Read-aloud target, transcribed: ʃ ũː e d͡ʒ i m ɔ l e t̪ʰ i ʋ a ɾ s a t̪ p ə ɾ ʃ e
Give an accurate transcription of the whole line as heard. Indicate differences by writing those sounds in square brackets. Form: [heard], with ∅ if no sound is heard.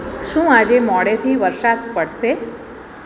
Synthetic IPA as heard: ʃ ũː [a] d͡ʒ [e] m ɔ [ɽ] e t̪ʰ i ʋ [ə] ɾ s a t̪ p ə [ɽ] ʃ e